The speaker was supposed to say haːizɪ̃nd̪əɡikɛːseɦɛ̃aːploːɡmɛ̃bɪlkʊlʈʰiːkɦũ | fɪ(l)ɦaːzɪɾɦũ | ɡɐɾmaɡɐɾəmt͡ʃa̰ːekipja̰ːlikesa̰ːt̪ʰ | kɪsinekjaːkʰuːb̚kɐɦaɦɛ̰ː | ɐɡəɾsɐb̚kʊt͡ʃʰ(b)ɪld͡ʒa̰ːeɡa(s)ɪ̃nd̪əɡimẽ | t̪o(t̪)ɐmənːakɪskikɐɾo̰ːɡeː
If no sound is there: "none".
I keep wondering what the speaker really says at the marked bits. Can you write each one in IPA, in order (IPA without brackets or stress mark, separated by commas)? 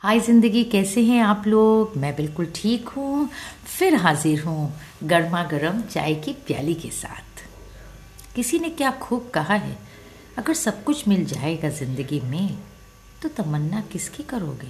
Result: ɾ, m, z, t̪